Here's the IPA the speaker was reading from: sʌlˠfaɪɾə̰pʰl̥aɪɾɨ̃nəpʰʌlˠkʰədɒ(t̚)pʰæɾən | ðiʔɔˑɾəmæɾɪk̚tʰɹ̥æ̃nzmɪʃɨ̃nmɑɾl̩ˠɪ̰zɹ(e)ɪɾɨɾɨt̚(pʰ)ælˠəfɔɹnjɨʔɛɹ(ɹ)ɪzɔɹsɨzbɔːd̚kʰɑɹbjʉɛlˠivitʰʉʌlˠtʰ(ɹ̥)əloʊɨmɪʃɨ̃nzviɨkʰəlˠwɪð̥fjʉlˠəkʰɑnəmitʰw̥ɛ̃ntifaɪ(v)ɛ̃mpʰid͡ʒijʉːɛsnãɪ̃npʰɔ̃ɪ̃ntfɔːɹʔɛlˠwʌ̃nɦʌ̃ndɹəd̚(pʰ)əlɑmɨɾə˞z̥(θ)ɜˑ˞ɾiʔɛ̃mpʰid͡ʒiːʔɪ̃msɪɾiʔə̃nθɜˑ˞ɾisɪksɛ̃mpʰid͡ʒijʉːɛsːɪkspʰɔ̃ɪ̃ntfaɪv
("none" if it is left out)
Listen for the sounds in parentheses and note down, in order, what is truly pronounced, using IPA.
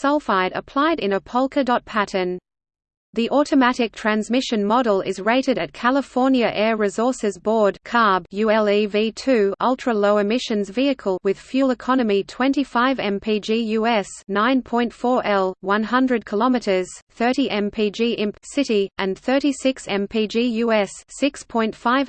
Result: t̚, e, kʰ, ɹ, ɹ̥, v, kʰ, θ

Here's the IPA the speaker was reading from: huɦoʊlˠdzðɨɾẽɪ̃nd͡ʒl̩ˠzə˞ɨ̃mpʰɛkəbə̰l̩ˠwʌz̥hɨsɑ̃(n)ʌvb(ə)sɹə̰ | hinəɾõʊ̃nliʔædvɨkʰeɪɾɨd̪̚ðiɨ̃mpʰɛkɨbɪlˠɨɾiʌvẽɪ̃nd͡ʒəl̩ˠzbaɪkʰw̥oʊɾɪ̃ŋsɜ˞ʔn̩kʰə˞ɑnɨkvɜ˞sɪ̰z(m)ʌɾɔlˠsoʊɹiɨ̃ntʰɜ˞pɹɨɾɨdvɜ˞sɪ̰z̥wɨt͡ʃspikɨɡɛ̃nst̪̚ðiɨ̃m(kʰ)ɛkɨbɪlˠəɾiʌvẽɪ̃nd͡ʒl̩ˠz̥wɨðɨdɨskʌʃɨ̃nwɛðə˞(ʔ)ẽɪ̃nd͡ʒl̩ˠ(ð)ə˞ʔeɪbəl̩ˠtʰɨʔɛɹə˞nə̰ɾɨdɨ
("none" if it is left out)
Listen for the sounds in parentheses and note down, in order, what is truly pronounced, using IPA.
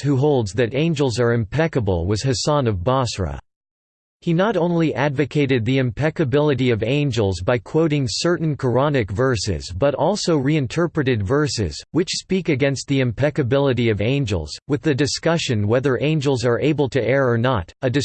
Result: n, ɑ, b, pʰ, ʔ, z

